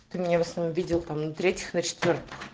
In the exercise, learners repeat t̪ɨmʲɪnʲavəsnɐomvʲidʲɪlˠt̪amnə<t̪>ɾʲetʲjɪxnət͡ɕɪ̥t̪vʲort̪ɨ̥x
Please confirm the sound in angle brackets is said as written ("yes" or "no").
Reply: yes